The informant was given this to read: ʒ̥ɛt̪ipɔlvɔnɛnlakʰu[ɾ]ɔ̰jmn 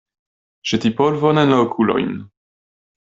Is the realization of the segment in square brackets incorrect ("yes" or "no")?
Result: yes